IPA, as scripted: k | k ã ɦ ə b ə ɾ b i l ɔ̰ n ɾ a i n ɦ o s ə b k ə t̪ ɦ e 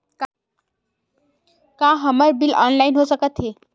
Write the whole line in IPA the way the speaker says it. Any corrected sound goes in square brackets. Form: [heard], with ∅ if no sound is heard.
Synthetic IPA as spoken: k | k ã ɦ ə [m] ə ɾ b i l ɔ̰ n [l] a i n ɦ o s ə [∅] k ə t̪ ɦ e